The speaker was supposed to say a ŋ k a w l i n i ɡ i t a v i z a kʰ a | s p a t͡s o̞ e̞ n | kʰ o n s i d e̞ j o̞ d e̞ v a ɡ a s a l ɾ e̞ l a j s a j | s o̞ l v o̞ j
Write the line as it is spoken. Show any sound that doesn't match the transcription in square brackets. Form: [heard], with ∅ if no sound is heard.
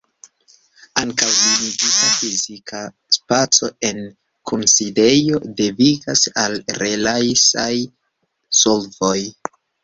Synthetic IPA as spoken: a ŋ k a w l i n i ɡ i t a [f] i z [i] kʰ a | s p a t͡s o̞ e̞ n | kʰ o n s i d e̞ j o̞ d e̞ v [i] ɡ a s a l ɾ e̞ l a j s a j | s o̞ l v o̞ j